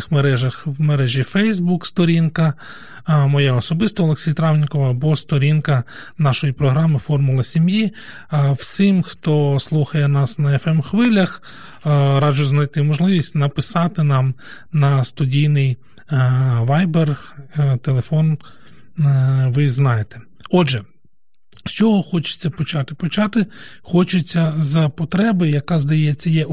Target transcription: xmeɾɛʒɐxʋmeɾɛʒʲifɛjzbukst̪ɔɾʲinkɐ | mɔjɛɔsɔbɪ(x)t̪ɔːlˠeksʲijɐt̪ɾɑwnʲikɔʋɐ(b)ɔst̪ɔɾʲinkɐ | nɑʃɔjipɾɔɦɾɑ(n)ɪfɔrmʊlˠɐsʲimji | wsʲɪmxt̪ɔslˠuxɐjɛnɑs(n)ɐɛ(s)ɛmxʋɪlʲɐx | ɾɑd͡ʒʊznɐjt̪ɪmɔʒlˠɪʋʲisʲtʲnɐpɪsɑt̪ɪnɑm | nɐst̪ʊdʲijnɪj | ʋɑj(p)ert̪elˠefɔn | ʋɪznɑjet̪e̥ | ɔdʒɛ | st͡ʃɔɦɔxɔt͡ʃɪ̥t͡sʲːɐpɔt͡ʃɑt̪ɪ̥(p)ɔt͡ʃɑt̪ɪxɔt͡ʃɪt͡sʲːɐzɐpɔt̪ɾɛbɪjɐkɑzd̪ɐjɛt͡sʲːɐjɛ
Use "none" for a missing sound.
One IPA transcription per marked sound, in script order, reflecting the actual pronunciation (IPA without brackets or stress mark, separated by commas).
s, b, m, n, f, b, p